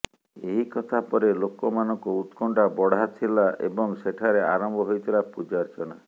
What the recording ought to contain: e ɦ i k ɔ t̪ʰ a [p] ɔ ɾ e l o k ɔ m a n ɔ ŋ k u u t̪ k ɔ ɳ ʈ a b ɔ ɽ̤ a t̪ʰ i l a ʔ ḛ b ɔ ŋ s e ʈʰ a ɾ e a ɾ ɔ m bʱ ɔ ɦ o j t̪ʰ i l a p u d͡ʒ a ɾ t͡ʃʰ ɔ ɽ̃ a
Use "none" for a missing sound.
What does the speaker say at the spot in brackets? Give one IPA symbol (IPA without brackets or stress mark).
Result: p